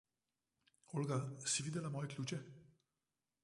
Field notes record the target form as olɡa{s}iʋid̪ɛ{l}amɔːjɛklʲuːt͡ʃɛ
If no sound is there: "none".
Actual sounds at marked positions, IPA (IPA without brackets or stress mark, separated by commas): s, l